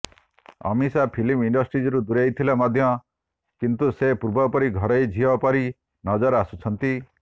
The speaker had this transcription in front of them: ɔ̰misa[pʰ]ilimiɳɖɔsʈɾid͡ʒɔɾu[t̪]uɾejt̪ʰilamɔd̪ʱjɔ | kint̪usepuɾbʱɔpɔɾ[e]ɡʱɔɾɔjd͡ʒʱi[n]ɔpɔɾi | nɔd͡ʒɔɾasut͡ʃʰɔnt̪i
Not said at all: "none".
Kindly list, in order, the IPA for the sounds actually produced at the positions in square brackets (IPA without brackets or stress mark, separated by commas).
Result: pʰ, d̪, i, none